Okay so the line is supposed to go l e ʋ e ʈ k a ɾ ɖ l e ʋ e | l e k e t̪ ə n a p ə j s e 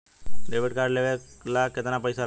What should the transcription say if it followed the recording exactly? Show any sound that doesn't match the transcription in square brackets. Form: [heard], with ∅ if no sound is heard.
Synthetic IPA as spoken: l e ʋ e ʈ k a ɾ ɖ l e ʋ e | l [a] k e t̪ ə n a p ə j s [a]